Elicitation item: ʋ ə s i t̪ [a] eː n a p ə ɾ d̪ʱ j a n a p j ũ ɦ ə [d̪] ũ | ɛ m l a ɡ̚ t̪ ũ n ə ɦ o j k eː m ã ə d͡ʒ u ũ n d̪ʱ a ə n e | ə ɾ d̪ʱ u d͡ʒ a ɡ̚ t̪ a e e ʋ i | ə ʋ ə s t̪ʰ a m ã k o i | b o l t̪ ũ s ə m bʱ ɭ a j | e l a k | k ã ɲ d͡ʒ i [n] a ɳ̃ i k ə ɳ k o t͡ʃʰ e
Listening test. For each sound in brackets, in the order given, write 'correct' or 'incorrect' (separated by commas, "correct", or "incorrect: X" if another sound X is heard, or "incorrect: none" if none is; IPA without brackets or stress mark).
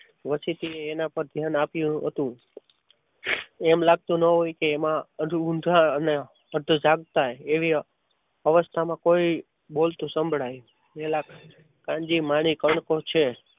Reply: incorrect: i, incorrect: t̪, incorrect: m